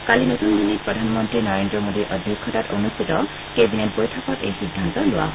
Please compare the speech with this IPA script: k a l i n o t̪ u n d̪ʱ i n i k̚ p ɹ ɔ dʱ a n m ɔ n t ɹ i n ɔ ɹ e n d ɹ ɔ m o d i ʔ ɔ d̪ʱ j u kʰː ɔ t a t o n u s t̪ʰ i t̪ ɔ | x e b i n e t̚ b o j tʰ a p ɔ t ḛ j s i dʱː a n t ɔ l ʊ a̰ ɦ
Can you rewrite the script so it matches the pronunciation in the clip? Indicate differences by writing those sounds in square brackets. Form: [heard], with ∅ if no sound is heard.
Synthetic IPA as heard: k a l i n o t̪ u n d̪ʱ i n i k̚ p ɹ ɔ dʱ a n m ɔ n t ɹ i n ɔ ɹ e n d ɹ ɔ m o d i ʔ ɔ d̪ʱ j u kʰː ɔ t a t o n u s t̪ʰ i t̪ ɔ | [k] e b i n e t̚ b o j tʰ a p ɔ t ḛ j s i dʱː a n t ɔ l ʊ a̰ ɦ